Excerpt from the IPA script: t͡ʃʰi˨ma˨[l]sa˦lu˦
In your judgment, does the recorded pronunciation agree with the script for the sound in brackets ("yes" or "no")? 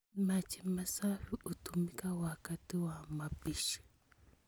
no